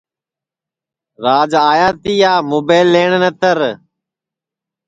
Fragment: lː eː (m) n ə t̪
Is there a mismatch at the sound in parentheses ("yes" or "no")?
yes